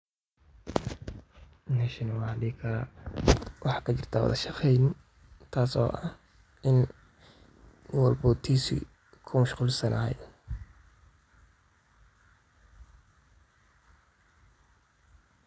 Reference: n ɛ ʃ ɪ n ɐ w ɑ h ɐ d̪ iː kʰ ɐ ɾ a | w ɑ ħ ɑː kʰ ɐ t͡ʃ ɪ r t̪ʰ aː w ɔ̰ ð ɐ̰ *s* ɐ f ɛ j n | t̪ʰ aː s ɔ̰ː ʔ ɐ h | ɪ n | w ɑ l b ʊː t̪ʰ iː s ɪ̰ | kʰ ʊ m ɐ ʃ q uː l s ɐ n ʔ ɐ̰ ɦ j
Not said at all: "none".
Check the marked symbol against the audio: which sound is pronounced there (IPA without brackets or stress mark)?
ʃ